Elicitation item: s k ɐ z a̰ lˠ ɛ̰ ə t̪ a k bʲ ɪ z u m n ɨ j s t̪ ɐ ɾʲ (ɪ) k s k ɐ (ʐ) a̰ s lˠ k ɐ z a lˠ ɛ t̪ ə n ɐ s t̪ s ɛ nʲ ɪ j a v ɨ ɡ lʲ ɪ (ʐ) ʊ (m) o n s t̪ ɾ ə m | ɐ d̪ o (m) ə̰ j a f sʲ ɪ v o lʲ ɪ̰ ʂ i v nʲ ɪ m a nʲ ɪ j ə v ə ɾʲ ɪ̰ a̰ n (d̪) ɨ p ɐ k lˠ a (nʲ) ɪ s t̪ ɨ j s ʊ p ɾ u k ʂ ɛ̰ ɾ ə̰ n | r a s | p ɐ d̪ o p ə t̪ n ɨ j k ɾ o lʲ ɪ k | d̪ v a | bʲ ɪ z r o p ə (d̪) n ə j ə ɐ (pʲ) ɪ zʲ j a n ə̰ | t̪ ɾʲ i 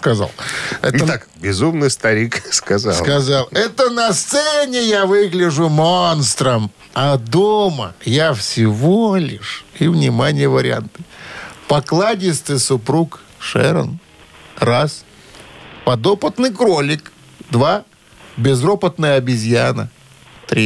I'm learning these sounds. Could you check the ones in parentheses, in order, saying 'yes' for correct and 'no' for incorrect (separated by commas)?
no, no, yes, yes, yes, no, no, no, no